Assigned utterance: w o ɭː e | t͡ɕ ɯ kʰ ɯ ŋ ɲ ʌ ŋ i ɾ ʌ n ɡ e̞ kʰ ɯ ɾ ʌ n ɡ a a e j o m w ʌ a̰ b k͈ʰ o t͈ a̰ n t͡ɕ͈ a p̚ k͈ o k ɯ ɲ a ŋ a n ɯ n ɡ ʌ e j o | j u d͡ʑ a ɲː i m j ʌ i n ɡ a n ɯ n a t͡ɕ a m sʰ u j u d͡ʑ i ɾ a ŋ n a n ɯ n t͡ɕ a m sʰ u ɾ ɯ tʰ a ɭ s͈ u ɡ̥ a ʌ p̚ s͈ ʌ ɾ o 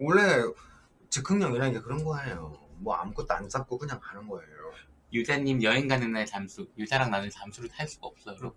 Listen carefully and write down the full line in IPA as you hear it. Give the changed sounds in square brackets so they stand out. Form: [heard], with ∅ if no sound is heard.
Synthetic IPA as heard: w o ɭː e | t͡ɕ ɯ kʰ ɯ ŋ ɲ ʌ ŋ i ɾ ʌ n ɡ e̞ [k] ɯ ɾ ʌ n ɡ [ʌ] a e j o m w ʌ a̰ [m] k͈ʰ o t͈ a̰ n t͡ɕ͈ a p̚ k͈ o k ɯ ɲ a ŋ a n ɯ n ɡ ʌ e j o | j u d͡ʑ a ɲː i m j ʌ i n ɡ a n ɯ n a t͡ɕ a m sʰ u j u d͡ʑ [a] ɾ a ŋ n a n ɯ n t͡ɕ a m sʰ u ɾ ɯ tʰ a ɭ s͈ u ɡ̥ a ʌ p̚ s͈ ʌ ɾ o